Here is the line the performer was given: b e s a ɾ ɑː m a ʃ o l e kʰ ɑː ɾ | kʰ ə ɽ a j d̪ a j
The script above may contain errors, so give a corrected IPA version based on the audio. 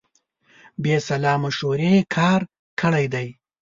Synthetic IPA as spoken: b e s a l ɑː m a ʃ o ɾ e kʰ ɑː ɾ | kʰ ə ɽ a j d̪ a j